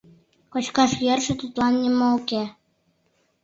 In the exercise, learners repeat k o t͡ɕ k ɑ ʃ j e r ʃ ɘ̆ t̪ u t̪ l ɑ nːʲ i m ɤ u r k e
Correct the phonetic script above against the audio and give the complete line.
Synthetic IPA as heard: k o t͡ɕ k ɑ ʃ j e r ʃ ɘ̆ t̪ u t̪ l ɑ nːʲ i m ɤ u k e

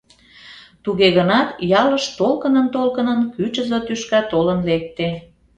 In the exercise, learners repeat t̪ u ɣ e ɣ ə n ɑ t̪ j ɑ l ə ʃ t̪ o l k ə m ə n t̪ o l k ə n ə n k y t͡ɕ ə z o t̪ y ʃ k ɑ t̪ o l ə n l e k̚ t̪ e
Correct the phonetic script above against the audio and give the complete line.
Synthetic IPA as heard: t̪ u ɣ e ɣ ə n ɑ t̪ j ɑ l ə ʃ t̪ o l k ə n ə n t̪ o l k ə n ə n k y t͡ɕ ə z o t̪ y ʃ k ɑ t̪ o l ə n l e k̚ t̪ e

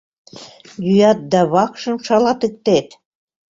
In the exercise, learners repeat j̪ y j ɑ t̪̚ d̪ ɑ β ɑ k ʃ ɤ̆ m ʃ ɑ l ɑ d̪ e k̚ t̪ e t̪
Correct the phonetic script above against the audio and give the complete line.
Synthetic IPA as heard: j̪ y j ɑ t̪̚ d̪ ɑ β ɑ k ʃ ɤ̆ m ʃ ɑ l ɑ t̪ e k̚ t̪ e t̪

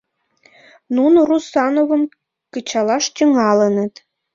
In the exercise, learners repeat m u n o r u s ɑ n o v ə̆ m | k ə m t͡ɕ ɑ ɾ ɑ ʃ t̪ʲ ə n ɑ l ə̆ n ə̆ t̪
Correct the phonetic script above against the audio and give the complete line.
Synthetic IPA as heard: n u n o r u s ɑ n o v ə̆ m | k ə t͡ɕ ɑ l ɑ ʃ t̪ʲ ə ŋ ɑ l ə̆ n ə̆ t̪

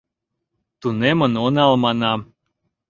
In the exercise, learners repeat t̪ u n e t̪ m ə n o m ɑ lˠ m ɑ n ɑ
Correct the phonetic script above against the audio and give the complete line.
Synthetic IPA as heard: t̪ u n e m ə n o n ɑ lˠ m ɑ n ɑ

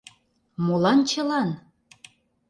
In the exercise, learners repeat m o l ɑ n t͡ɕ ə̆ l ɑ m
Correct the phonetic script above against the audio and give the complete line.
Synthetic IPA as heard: m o l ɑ n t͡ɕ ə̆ l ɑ n

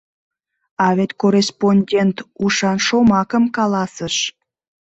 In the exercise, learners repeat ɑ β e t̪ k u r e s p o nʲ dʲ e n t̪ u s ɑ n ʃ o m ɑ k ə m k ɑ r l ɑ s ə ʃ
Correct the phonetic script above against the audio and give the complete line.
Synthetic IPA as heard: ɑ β e t̪ k o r e s p o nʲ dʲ e n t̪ u ʃ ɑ n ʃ o m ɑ k ə m k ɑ l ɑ s ə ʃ

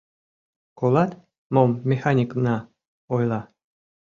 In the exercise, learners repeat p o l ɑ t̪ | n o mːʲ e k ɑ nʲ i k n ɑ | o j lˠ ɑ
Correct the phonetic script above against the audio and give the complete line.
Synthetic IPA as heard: k o l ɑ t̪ | m o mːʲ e x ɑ nʲ i k n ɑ | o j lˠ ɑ

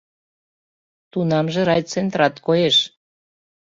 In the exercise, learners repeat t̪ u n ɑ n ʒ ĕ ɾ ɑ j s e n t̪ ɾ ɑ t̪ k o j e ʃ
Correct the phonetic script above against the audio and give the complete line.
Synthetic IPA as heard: t̪ u n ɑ m ʒ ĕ ɾ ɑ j t͡s e n t̪ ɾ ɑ t̪ k o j e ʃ

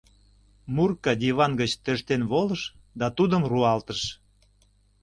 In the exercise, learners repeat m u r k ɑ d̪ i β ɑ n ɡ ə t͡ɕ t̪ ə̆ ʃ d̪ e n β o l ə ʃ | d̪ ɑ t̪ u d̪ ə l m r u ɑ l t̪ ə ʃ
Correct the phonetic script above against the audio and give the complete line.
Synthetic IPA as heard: m u r k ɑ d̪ i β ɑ n ɡ ə t͡ɕ t̪ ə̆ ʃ t̪ e n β o l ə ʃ | d̪ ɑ t̪ u d̪ ə m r u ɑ l t̪ ə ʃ

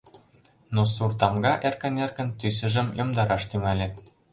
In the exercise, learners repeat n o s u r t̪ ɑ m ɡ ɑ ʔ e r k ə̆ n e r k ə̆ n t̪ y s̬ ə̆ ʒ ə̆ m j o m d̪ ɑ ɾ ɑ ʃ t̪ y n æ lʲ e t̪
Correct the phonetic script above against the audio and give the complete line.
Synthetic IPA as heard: n o s u r t̪ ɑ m ɡ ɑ ʔ e r k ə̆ n e r k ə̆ n t̪ y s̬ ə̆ ʒ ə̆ m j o m d̪ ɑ ɾ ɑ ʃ t̪ y ŋ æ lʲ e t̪

